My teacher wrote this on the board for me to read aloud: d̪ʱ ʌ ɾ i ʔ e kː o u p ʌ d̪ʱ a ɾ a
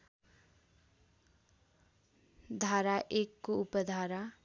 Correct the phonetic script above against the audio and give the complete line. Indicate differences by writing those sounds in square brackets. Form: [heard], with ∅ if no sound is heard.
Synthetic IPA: d̪ʱ [a] ɾ [a] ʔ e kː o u p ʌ d̪ʱ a ɾ a